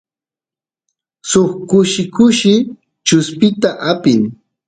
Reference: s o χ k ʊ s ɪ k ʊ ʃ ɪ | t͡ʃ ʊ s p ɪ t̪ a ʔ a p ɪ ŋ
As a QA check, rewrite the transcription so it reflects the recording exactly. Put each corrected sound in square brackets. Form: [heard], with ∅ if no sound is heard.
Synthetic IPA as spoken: s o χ k ʊ [ʃ] ɪ k ʊ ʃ ɪ | t͡ʃ ʊ s p ɪ t̪ a ʔ a p ɪ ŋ